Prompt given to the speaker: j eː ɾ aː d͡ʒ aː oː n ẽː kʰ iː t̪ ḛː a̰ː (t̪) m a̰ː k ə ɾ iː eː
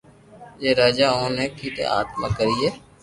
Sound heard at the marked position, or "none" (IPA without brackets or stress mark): t̪